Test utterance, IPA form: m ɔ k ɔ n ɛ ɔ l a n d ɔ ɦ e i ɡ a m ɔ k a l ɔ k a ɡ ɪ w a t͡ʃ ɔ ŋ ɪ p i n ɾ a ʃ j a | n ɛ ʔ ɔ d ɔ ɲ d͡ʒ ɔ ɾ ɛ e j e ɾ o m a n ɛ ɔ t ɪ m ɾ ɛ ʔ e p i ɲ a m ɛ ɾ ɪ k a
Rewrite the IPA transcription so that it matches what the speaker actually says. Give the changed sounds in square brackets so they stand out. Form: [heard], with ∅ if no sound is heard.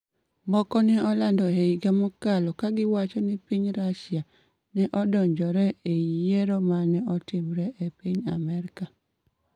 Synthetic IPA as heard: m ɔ k ɔ n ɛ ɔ l a n d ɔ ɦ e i ɡ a m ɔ k a l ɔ k a ɡ ɪ w a t͡ʃ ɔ [n] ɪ p i [ɲ] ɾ a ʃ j a | n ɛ ʔ ɔ d ɔ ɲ d͡ʒ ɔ ɾ ɛ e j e ɾ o m a n ɛ ɔ t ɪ m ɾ ɛ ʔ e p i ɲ a m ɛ ɾ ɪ k a